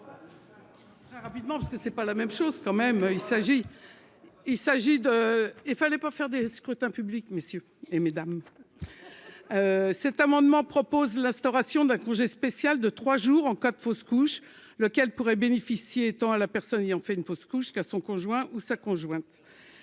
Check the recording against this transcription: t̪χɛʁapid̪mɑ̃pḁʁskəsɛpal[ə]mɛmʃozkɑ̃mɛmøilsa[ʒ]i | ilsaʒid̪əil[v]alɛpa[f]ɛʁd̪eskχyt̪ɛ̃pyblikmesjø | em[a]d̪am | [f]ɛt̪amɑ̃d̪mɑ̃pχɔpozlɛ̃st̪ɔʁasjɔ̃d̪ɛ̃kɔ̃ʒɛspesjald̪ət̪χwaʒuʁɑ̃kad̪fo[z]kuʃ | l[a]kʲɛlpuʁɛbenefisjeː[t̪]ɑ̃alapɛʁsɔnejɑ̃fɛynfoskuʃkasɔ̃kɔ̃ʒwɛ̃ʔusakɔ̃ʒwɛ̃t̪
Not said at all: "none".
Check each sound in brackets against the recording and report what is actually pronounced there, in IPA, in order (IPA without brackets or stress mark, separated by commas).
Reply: a, ʒ, f, f, e, s, s, ə, t̪